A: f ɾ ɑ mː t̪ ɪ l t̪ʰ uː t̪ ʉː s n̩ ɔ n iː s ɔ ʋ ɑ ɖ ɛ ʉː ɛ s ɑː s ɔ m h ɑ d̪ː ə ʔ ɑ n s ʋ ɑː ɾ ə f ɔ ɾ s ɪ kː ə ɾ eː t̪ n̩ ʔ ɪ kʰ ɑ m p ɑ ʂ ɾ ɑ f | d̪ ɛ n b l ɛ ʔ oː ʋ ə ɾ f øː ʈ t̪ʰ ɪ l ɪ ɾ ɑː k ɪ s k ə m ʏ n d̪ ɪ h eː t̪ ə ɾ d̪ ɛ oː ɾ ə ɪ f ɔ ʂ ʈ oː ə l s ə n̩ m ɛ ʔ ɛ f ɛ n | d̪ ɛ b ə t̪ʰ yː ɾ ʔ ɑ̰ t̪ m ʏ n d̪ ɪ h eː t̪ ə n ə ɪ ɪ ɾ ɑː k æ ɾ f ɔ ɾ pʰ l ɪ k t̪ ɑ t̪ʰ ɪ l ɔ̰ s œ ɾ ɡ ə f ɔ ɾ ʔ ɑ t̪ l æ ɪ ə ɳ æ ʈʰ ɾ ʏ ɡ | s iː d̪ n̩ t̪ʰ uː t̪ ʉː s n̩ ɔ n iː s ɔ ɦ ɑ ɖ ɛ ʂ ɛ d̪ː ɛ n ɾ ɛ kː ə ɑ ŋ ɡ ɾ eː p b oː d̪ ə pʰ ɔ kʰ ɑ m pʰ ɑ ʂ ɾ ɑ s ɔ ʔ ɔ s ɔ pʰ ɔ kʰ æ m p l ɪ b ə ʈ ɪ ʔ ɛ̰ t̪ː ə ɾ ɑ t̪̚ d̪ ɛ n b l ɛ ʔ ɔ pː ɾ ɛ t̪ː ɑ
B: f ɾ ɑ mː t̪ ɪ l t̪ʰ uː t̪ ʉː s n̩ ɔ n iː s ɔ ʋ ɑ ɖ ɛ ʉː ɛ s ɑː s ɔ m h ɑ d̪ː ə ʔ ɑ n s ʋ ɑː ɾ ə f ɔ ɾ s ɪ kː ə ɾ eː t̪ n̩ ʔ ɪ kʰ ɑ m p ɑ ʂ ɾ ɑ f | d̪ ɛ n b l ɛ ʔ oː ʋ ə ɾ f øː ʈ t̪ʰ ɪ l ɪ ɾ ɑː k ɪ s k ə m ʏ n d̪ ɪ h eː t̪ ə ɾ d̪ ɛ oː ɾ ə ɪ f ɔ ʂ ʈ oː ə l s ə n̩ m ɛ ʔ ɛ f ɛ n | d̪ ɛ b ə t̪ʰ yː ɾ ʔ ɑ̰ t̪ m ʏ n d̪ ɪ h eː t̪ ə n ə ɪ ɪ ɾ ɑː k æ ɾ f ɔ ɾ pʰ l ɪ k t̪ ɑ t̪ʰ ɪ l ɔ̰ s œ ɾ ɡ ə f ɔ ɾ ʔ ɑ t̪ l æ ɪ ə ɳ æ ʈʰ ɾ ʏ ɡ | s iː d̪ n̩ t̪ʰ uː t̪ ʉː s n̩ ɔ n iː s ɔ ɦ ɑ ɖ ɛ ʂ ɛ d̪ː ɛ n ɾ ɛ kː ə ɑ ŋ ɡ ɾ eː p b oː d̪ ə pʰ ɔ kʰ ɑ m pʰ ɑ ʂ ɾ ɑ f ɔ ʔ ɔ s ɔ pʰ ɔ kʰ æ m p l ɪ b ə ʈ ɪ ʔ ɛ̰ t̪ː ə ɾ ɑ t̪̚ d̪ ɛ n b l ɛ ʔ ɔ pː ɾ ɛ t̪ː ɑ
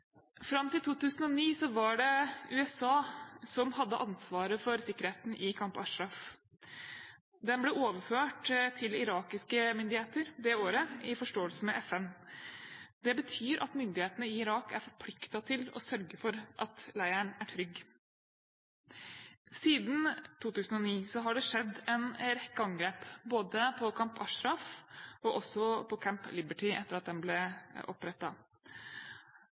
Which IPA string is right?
B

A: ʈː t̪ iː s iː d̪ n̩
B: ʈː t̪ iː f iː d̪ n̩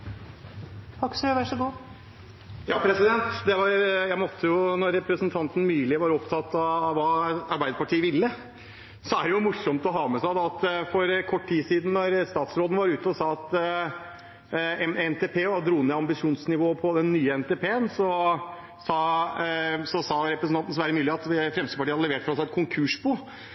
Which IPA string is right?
A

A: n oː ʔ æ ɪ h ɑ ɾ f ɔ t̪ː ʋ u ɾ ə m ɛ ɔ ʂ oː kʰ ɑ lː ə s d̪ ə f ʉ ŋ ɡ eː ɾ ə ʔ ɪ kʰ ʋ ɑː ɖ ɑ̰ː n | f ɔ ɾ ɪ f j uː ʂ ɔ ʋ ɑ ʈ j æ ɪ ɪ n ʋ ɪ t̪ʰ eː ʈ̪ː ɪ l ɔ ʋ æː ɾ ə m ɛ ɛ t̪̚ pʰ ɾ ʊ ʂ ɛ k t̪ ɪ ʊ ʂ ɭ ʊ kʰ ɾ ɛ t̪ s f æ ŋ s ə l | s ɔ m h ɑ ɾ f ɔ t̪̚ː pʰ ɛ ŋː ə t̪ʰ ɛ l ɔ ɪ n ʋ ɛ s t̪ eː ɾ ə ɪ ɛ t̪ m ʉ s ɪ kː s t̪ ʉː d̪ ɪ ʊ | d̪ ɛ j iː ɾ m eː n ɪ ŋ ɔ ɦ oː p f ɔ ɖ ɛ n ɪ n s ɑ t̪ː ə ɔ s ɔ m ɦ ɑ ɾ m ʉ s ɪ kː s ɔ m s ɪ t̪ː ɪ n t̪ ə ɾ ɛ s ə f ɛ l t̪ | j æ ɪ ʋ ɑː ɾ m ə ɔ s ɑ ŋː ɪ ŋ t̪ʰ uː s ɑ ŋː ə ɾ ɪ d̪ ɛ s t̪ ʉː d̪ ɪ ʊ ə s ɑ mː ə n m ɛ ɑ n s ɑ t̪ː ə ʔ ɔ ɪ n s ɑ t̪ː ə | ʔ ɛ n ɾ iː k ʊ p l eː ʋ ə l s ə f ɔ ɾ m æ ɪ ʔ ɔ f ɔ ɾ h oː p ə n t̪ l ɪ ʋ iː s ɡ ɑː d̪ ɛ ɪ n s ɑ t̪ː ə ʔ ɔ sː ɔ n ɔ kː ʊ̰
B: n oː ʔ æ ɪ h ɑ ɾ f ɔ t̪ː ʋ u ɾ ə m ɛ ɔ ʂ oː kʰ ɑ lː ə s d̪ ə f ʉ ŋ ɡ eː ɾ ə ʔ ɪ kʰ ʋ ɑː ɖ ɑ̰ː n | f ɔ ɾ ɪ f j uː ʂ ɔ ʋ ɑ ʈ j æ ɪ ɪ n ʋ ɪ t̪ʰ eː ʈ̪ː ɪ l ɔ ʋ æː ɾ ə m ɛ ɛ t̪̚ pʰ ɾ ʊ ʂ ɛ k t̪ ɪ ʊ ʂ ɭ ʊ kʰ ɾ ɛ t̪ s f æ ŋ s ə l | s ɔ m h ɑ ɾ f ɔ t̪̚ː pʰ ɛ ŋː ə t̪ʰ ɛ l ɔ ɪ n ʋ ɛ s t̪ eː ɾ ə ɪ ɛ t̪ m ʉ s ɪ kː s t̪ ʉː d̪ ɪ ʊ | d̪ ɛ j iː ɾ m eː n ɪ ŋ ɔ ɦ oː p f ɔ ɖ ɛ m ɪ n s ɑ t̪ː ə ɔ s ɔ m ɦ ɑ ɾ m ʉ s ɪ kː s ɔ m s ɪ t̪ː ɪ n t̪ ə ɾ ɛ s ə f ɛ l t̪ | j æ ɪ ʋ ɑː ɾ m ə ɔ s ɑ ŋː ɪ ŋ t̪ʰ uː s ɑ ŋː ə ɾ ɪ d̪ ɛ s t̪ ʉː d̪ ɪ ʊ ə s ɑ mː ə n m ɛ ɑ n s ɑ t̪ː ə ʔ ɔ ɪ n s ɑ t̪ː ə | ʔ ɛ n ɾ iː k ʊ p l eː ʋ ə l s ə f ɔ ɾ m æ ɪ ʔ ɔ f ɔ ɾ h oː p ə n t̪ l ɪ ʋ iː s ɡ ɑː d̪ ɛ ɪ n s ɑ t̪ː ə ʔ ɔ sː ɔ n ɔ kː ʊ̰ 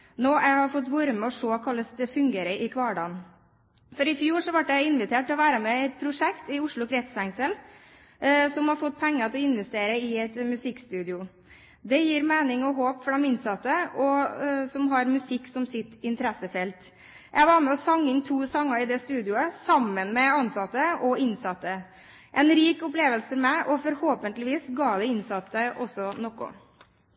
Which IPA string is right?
B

